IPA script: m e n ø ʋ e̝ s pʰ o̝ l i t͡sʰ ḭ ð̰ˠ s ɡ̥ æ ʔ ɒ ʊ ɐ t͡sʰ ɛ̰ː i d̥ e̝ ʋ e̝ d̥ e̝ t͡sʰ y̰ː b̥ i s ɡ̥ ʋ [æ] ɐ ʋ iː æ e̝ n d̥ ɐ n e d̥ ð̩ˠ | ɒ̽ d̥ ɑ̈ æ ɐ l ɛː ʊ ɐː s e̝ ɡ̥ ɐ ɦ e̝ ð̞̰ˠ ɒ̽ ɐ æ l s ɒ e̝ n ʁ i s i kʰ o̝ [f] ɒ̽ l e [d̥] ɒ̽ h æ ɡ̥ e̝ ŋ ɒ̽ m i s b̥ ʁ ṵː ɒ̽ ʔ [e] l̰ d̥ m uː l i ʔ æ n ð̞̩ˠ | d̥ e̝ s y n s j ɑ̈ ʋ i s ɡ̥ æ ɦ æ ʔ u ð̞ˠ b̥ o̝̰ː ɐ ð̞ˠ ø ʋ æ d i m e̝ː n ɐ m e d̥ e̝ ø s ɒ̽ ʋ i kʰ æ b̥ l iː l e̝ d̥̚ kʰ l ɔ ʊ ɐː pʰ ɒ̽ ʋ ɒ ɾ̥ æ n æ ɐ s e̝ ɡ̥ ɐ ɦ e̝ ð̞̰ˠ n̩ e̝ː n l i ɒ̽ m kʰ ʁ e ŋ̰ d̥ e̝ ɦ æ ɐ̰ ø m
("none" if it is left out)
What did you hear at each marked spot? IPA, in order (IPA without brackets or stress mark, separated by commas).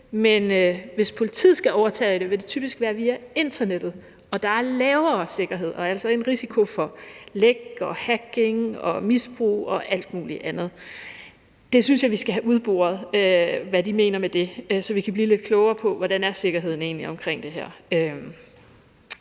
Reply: æː, f, ɡ̥, æ